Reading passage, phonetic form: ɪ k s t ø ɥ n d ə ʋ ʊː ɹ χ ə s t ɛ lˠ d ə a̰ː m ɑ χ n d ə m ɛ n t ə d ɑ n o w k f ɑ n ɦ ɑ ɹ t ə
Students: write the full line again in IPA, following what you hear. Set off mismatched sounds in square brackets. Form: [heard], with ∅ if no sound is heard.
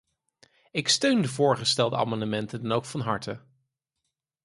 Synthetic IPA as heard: ɪ k s t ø ɥ n d ə [v] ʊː ɹ χ ə s t ɛ lˠ d ə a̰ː m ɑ [∅] n d ə m ɛ n t ə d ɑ n o w k f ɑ n ɦ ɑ ɹ t ə

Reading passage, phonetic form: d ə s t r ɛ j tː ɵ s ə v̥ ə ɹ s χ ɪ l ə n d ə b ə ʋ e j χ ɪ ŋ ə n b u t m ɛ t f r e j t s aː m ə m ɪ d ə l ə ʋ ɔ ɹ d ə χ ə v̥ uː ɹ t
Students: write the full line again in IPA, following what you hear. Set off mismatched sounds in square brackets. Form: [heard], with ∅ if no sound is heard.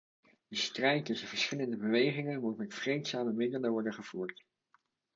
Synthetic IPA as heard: d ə s t r ɛ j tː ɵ s ə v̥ ə ɹ s χ ɪ l ə n d ə b ə ʋ e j χ ɪ ŋ ə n [m] u t m ɛ t f r e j t s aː m ə m ɪ d ə l ə ʋ ɔ ɹ d ə χ ə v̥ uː ɹ t

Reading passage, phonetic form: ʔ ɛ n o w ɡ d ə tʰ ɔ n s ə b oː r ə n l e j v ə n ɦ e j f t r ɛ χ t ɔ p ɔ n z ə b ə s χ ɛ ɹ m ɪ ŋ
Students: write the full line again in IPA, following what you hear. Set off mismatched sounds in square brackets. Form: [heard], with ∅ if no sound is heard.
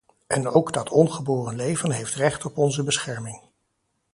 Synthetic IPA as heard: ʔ ɛ n o w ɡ d [ɑ] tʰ ɔ n [χ] ə b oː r ə n l e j v ə n ɦ e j f t r ɛ χ t ɔ p ɔ n z ə b ə s χ ɛ ɹ m ɪ ŋ

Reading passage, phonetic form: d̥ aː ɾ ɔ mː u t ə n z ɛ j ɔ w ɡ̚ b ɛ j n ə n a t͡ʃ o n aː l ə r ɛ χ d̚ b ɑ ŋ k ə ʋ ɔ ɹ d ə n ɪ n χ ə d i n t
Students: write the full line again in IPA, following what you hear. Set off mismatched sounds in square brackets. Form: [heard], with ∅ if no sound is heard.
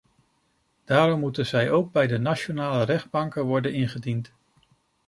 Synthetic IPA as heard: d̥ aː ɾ ɔ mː u t ə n z ɛ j [o] w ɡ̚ b ɛ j [d] ə n a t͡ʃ o n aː l ə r ɛ χ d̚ b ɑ ŋ k ə ʋ ɔ ɹ d ə n ɪ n χ ə d i n t

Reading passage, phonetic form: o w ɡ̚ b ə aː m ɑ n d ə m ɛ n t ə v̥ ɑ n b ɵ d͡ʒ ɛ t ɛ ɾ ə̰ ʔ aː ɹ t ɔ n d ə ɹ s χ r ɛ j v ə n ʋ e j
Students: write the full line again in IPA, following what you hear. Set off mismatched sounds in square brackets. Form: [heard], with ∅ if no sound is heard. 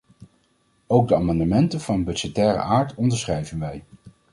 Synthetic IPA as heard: o w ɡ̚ [d] ə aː m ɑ n d ə m ɛ n t ə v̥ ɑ n b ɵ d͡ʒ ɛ t [ɛː] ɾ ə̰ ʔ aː ɹ t ɔ n d ə ɹ s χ r ɛ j v ə n ʋ [ɛ] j

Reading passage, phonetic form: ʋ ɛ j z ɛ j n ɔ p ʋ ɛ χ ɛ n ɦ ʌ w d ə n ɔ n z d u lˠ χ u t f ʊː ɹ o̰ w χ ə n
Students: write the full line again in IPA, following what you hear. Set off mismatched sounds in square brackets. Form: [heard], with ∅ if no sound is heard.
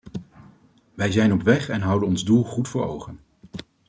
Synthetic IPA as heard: ʋ ɛ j z ɛ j n ɔ p ʋ ɛ χ ɛ n ɦ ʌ w d ə n ɔ n z d u lˠ χ u t f ʊː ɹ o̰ w χ ə n

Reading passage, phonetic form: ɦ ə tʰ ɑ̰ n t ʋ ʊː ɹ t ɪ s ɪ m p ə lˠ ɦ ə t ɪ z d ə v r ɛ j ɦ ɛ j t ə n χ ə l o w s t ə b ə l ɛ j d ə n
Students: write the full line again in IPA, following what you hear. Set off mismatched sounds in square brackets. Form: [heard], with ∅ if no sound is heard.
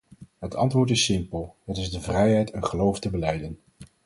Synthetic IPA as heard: ɦ ə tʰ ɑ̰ n t ʋ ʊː ɹ t ɪ s ɪ m p ə lˠ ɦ ə t ɪ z d ə v r ɛ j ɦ ɛ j t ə n χ ə l o w [f] t ə b ə l ɛ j d ə n

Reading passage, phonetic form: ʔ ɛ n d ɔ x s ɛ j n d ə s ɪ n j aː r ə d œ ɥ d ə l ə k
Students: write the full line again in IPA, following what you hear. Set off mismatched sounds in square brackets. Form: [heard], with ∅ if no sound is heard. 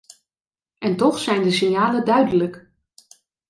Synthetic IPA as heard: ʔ ɛ n [t] ɔ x s ɛ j n d ə s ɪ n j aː [l] ə d œ ɥ d ə l ə k

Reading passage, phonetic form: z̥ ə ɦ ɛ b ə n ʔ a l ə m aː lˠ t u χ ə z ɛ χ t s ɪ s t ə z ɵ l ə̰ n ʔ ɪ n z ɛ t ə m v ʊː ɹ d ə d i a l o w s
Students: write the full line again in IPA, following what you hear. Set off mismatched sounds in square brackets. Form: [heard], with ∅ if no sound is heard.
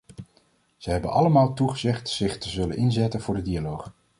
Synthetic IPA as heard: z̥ ə ɦ ɛ b ə n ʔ [ɑ] l ə m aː lˠ t u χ ə z ɛ χ t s ɪ [χ] t ə z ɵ l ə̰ n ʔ ɪ n z ɛ t ə [n] v ʊː ɹ d ə d i a l o w [χ]

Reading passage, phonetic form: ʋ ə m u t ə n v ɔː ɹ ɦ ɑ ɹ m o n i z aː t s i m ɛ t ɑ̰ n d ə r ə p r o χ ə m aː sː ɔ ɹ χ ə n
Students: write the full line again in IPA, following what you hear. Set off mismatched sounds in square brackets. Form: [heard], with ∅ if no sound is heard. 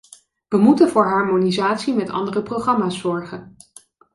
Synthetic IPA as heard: ʋ ə m u t ə n v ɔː ɹ ɦ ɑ ɹ m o n i z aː t s i m ɛ t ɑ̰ n d ə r ə p r o χ [ɑ] m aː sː ɔ ɹ χ ə n

